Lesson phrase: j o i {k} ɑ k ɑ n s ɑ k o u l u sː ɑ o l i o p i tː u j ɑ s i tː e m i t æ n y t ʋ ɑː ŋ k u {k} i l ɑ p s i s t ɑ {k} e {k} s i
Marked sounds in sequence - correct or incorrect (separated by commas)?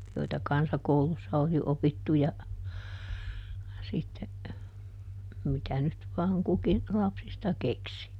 incorrect, correct, correct, correct